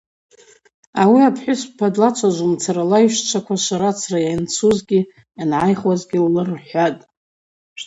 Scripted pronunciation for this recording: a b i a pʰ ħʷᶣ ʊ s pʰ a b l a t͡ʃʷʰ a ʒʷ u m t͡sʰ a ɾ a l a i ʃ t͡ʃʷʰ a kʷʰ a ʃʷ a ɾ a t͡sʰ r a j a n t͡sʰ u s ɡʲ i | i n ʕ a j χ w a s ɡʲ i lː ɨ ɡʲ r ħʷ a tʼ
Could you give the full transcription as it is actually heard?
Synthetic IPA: a w i a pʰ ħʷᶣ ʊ s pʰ a d l a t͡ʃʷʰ a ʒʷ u m t͡sʰ a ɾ a l a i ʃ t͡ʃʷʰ a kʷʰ a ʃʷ a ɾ a t͡sʰ r a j a n t͡sʰ u z ɡʲ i | a n ʕ a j χ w a z ɡʲ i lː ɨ r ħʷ a tʼ

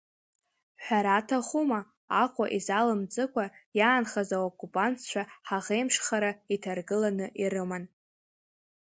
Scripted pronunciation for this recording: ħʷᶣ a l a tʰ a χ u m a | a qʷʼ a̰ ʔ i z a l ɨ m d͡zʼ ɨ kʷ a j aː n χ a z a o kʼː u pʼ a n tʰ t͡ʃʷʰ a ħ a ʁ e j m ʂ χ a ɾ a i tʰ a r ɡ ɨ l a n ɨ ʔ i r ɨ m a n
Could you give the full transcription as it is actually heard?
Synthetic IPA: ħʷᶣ a ɾ a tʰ a χ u m a | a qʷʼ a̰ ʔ i z a l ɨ m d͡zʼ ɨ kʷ a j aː n χ a z a o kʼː u pʼ a n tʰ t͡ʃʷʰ a ħ a ʁ e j m ʂ χ a ɾ a i tʰ a r ɡ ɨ l a n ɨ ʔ i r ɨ m a n

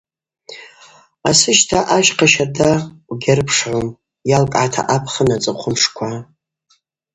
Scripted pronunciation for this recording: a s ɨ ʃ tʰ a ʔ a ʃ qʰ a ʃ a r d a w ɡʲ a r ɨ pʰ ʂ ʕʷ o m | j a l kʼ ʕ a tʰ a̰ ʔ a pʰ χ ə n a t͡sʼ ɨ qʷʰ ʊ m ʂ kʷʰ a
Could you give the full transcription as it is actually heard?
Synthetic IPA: a s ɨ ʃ tʰ a ʔ a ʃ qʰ a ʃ a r d a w ɡʲ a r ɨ pʰ ʂ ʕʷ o m | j a l kʼ ʕ a tʰ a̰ ʔ a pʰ χ ə n a t͡sʼ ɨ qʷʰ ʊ m ʂ kʷʰ a

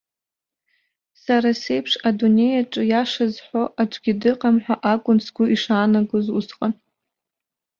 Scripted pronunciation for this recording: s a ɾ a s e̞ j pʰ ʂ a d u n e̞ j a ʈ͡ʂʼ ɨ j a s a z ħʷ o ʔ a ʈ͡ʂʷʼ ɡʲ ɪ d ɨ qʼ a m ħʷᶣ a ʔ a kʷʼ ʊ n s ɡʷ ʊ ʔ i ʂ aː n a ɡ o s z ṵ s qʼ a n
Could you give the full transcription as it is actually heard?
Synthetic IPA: s a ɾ a s e̞ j pʰ ʂ a d u n e̞ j a ʈ͡ʂʼ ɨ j a ʂ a z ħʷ o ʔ a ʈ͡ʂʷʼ ɡʲ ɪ d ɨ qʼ a m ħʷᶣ a ʔ a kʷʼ ʊ n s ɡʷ ʊ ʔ i ʂ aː n a ɡ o z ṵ s qʼ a n

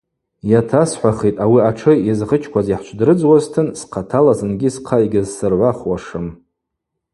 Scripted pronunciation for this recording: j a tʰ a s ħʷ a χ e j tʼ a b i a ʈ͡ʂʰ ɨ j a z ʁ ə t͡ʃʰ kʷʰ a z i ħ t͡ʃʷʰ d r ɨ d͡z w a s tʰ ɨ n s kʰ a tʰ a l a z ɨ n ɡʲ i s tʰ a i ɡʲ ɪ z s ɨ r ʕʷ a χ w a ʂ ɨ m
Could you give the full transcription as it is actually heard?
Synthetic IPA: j a tʰ a s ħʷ a χ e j tʼ a w i a ʈ͡ʂʰ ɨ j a z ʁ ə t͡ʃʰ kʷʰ a z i ħ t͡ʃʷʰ d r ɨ d͡z w a z tʰ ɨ n s qʰ a tʰ a l a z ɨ n ɡʲ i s qʰ a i ɡʲ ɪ z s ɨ r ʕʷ a χ w a ʂ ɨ m

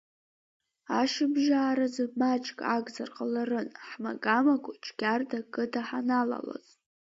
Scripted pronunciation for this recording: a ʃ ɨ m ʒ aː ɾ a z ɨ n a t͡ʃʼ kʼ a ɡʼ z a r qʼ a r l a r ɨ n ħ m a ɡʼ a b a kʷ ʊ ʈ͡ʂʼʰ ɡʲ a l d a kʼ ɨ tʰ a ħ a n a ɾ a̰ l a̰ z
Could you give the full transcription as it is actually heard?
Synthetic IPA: a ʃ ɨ b ʒ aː ɾ a z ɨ m a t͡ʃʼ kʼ a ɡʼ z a r qʼ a l a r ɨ n ħ m a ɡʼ a m a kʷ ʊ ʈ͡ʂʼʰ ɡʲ a r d a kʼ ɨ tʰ a ħ a n a l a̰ l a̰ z

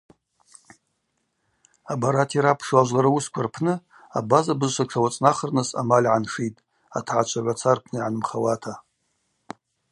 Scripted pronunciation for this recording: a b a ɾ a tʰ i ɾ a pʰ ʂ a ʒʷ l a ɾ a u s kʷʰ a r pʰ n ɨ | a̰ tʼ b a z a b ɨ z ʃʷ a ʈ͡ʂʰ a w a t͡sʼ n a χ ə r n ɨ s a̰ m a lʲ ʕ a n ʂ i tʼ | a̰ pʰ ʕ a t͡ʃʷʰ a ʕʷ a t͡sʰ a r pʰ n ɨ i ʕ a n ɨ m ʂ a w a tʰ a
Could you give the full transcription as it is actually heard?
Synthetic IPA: a b a ɾ a tʰ i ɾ a pʰ ʂ a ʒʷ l a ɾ a u s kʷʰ a r pʰ n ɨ | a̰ b a z a b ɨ z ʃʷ a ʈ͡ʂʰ a w a t͡sʼ n a χ ə r n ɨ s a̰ m a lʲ ʕ a n ʂ i tʼ | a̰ tʰ ʕ a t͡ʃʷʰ a ʕʷ a t͡sʰ a r pʰ n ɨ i ʕ a n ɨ m χ a w a tʰ a

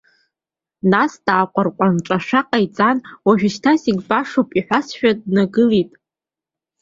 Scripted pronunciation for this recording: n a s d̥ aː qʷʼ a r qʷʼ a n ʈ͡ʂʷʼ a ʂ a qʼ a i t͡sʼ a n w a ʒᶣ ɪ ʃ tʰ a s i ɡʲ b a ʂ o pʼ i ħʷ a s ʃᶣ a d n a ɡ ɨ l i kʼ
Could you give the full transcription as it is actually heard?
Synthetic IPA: n a s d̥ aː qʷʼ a r qʷʼ a n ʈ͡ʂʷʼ a ʂ a qʼ a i t͡sʼ a n w a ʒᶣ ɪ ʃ tʰ a s i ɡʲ b a ʂ o pʼ i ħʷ a s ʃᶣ a d n a ɡ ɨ l i tʼ

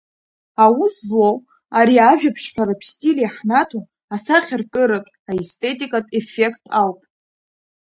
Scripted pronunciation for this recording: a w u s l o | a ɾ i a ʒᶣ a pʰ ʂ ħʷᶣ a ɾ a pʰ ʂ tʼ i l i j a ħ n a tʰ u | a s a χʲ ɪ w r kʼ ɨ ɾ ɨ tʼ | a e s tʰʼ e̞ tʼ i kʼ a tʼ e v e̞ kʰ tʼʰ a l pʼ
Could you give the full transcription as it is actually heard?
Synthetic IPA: a w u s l o | a ɾ i a ʒᶣ a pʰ ʂ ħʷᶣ a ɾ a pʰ s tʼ i l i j a ħ n a tʰ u | a s a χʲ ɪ r kʼ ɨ ɾ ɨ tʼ | a e s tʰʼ e̞ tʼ i kʼ a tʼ e f e̞ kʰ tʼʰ a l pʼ

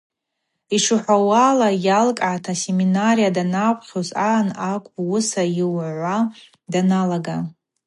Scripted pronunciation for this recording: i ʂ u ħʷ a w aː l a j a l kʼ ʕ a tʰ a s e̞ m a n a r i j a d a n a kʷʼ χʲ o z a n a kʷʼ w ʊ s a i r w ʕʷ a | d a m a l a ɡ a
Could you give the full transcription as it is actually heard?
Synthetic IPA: i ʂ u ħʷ a w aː l a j a l kʼ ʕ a tʰ a s e̞ m i n a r i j a d a n a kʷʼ χʲ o z a n a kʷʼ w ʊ s a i w ʕʷ a | d a n a l a ɡ a

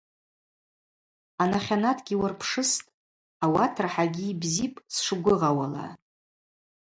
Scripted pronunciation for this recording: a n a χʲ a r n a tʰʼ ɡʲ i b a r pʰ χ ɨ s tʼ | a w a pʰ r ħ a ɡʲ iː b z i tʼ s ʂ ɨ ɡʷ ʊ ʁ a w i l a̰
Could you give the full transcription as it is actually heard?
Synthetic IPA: a n a χʲ a n a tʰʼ ɡʲ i w a r pʰ ʂ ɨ s tʼ | a w a tʰ r ħ a ɡʲ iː b z i pʼ s ʂ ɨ ɡʷ ʊ ʁ a w a l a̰

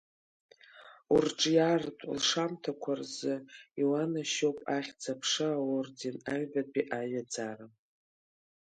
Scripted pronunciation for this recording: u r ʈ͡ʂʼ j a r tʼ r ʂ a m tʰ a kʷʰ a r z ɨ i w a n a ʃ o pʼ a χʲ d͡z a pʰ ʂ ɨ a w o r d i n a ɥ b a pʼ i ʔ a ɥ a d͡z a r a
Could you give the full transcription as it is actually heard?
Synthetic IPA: u r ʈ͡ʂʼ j a r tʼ l ʂ a m tʰ a kʷʰ a r z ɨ i w a n a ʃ o pʼ a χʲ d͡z a pʰ ʂ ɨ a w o r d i n a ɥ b a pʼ i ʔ a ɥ a d͡z a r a

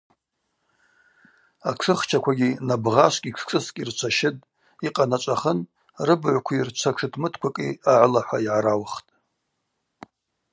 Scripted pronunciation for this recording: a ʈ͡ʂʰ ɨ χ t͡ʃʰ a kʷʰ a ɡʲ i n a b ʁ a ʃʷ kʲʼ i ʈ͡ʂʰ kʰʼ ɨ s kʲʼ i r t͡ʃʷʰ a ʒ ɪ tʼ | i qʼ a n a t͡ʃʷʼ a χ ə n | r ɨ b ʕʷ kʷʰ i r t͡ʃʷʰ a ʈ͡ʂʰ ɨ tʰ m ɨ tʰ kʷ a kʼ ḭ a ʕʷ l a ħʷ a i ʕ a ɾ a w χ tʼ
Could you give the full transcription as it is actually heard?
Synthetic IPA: a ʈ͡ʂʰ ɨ χ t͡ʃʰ a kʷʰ a ɡʲ i n a b ʁ a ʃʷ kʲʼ i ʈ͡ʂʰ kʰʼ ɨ s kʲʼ i r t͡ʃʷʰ a ʃ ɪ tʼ | i qʼ a n a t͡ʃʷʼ a χ ə n | r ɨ b ʕʷ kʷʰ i r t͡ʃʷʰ a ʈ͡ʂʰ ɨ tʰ m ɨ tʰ kʷ a kʼ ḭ a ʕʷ l a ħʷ a i ʕ a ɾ a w χ tʼ

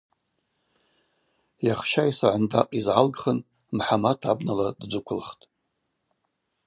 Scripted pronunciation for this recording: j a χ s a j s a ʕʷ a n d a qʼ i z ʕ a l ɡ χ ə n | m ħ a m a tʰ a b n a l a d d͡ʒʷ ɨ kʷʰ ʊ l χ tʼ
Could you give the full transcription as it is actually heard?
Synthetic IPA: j a χ ʃ a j s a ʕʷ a n d a qʼ i z ʕ a l ɡ χ ə n | m ħ a m a tʰ a b n a l a d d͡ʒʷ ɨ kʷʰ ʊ l χ tʼ

